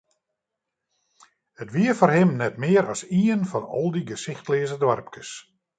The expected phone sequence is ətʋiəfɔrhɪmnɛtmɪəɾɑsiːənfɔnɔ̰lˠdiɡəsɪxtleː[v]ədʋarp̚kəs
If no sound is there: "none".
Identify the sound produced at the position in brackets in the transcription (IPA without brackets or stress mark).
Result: z